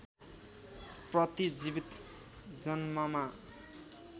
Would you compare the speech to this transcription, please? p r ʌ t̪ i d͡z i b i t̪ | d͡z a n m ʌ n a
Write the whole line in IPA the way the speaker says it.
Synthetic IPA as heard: p r ʌ t̪ i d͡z i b i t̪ | d͡z ʌ n m ʌ m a